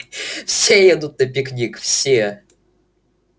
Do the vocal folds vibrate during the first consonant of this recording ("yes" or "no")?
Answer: no